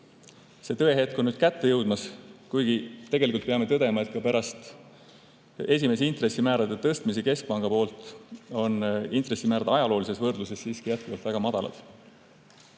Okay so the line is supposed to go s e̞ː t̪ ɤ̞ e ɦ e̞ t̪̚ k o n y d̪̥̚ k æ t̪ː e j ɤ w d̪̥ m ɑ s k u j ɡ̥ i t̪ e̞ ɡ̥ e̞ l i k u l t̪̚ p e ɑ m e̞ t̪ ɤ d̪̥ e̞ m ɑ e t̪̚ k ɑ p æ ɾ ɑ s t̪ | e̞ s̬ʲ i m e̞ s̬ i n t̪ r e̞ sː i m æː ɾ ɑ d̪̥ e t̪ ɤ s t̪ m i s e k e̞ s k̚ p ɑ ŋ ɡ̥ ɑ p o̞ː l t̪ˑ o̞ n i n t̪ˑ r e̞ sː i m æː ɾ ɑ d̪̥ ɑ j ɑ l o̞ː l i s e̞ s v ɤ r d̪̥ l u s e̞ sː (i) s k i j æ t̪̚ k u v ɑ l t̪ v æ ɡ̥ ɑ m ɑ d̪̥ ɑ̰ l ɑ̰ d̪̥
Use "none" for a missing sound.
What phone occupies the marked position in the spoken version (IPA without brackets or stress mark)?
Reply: iː